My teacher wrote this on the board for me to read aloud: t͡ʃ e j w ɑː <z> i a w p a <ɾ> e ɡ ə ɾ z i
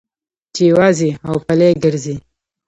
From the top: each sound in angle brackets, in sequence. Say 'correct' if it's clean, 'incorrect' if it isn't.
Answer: correct, incorrect

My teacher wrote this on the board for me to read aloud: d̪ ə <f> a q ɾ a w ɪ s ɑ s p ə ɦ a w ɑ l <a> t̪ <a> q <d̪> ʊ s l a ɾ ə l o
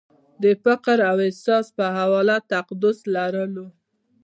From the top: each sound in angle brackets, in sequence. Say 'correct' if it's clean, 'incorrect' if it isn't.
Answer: correct, correct, correct, correct

